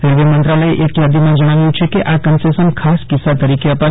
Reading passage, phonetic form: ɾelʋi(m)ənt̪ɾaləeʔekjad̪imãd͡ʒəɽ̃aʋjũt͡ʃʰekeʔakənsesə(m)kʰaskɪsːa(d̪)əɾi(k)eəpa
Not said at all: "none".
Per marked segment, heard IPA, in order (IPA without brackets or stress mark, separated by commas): m, n, t̪, k